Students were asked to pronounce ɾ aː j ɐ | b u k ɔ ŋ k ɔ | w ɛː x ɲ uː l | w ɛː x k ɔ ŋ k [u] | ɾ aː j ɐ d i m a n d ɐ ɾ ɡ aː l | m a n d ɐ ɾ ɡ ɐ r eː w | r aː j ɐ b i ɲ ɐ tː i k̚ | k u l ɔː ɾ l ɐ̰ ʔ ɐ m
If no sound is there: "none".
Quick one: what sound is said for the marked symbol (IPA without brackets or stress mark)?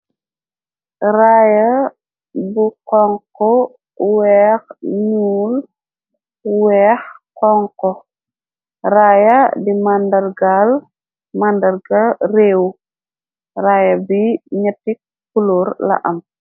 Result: ɔ